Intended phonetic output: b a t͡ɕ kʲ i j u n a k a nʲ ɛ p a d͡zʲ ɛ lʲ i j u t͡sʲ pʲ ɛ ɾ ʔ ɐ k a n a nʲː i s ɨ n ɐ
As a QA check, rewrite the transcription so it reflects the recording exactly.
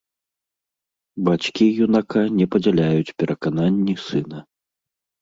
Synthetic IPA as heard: b a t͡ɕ kʲ i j u n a k a nʲ ɛ p ɐ d͡zʲ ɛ lʲ a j u t͡sʲ pʲ ɛ ɾ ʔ ɐ k a n a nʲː i s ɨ n ɐ